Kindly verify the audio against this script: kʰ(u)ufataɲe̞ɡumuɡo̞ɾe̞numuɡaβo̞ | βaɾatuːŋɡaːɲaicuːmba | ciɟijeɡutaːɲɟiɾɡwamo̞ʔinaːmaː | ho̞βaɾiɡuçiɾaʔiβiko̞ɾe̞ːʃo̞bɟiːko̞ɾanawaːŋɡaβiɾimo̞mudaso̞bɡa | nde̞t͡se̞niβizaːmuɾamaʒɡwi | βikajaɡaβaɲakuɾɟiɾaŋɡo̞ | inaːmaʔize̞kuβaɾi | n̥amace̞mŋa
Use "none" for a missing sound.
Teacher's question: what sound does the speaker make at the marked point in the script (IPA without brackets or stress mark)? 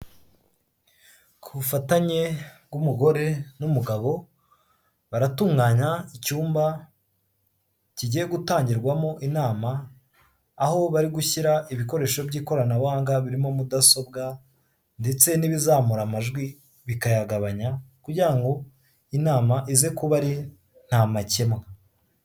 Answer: u